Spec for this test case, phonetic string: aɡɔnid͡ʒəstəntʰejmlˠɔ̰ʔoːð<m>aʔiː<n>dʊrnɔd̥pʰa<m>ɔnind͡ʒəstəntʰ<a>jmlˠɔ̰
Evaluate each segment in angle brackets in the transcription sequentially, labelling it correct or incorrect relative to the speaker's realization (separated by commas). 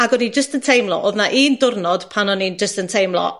incorrect, correct, incorrect, incorrect